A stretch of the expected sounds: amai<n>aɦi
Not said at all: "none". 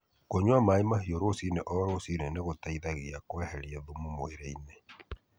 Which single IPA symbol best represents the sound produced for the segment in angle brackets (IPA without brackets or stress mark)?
m